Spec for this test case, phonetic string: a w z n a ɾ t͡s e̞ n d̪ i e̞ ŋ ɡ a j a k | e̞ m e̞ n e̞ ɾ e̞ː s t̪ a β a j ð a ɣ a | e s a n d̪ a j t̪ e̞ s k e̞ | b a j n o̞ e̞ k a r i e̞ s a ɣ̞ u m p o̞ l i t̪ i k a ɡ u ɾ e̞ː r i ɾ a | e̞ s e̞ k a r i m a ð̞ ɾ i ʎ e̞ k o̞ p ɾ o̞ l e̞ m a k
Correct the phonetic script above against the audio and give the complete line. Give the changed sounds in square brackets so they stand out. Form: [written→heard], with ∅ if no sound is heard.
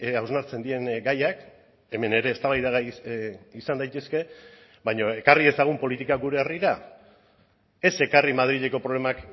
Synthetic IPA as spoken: a w z n a ɾ t͡s e̞ n d̪ i e̞ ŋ ɡ a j a k | e̞ m e̞ n e̞ ɾ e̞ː s t̪ a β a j ð a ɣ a | [e→i] s a n d̪ a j t̪ e̞ s k e̞ | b a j [n→ɲ] o̞ e̞ k a r i e̞ s a ɣ̞ u m p o̞ l i t̪ i k a ɡ u ɾ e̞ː r i ɾ a | e̞ s e̞ k a r i m a ð̞ ɾ i ʎ e̞ k o̞ p ɾ o̞ l e̞ m a k